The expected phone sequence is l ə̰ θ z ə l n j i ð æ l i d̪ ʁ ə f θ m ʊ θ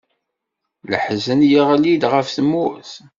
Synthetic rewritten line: l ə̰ ħ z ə n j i ʁ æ l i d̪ ʁ ə f θ m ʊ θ

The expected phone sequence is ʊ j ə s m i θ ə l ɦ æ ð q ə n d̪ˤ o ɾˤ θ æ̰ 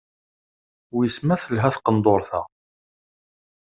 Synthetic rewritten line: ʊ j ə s m æ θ ə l ɦ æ θ q ə n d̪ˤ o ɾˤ θ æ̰

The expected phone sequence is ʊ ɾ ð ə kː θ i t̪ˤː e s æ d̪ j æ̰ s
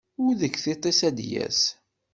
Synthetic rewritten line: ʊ ɾ ð ə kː θ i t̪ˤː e s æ d̪ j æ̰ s

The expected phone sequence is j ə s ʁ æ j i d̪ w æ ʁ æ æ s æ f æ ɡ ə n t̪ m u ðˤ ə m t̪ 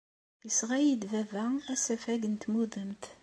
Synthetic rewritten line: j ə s ʁ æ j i d̪ v æ v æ æ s æ f æ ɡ ə n t̪ m u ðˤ ə m t̪

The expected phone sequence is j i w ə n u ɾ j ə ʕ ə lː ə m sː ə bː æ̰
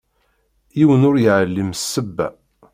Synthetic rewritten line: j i w ə n ʊ ɾ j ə ʕ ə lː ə m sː ə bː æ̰

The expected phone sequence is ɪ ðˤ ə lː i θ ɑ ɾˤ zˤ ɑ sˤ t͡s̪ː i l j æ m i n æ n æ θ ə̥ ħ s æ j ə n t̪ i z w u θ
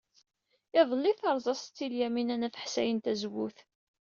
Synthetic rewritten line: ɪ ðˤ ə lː i θ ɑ ɾˤ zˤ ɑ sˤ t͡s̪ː i l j æ m i n æ n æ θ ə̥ ħ s æ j ə n t̪ æ z w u θ

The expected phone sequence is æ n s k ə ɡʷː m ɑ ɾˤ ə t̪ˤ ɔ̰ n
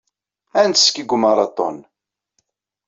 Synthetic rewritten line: æ n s k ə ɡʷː m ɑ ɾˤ ɑ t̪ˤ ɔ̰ n

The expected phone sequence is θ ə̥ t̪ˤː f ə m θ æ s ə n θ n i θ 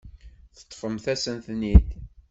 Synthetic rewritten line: θ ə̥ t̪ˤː f ə m θ æ s ə n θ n i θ

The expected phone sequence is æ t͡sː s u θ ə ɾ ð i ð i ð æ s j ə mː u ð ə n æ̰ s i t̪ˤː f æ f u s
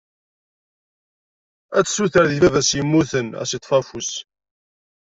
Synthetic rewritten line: æ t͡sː s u θ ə ɾ ð i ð æ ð æ s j ə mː u θ ə n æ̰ s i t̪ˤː f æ f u s

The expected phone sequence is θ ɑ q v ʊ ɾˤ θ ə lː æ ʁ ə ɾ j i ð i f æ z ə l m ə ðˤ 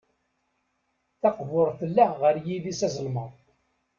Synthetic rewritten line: θ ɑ q v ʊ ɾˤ θ ə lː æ ʁ ə ɾ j i ð i s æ z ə l m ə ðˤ

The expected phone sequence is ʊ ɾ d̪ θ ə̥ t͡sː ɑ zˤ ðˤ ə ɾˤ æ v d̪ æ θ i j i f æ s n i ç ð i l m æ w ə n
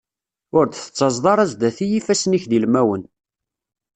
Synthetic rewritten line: ʊ ɾ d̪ θ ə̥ t͡sː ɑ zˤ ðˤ ɑ ɾˤ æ z d̪ æ θ i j i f æ s n i ç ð i l m æ w ə n

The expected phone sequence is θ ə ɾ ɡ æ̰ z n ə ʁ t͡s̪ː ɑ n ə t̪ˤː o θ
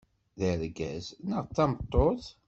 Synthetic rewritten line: ð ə ɾ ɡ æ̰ z n ə ʁ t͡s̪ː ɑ m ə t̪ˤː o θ

